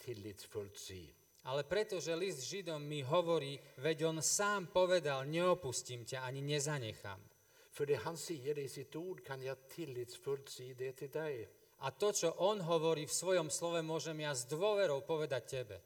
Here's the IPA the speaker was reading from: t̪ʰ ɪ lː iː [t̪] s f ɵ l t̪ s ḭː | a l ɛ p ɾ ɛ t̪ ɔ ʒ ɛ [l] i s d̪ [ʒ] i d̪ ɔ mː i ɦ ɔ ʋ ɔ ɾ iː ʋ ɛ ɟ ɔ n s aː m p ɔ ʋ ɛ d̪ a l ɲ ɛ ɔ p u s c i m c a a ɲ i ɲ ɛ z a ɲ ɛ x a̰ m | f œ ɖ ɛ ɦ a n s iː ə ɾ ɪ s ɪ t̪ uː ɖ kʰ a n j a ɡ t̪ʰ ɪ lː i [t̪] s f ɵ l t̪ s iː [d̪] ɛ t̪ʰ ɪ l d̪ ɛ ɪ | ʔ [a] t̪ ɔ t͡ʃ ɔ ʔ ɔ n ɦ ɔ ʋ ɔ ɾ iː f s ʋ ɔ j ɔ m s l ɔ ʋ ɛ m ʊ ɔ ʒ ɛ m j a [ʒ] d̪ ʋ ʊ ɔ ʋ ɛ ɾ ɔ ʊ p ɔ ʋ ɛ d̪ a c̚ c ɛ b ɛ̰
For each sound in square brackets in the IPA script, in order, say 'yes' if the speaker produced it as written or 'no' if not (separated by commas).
yes, yes, yes, yes, yes, yes, no